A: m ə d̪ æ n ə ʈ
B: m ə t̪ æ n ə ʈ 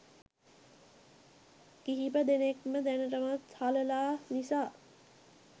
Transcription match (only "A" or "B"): A